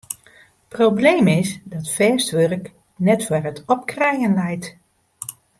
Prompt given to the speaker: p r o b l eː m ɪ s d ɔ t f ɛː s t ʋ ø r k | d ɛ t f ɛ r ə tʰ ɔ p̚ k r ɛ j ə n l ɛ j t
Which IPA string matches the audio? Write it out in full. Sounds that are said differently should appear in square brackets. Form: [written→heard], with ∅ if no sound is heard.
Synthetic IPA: p r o b l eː m ɪ s d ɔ t f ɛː s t ʋ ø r k | [d→n] ɛ t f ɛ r ə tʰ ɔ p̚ k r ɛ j ə n l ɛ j t

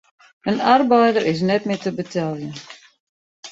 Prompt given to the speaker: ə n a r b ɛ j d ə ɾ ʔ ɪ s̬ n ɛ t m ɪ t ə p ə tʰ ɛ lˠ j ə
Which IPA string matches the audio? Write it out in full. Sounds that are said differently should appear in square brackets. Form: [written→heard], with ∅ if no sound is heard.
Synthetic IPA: ə n a r b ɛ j d ə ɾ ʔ ɪ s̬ n ɛ t m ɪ t ə [p→b] ə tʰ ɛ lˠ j ə

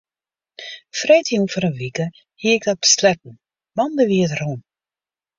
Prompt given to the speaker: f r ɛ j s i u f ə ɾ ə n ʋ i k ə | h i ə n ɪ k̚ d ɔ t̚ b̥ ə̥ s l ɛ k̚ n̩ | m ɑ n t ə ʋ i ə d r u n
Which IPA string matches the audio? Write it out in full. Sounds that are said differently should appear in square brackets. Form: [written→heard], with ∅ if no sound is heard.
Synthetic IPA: f r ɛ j [s→t] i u f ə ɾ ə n ʋ i k ə | h i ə [n→∅] ɪ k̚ d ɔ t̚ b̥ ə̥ s l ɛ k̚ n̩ | m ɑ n [t→d] ə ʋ i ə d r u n

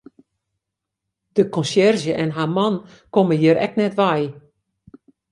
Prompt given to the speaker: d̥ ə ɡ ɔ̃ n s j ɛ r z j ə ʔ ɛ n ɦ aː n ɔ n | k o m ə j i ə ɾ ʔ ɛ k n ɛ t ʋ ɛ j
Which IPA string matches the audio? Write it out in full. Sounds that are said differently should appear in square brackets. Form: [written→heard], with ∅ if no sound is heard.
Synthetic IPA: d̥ ə [ɡ→k] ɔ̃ n s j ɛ r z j ə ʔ ɛ n ɦ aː [n→m] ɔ n | k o m ə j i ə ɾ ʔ ɛ k n ɛ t ʋ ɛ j

